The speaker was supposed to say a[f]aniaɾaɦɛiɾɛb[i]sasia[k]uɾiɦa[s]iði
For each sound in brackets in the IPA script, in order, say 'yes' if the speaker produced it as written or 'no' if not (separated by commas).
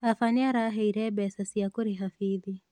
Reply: yes, no, yes, no